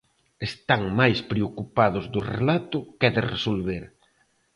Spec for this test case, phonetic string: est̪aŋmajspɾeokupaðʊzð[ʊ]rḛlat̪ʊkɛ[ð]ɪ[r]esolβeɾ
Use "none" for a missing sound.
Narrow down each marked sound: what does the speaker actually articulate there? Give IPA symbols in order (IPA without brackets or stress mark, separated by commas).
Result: ʊ, ð, r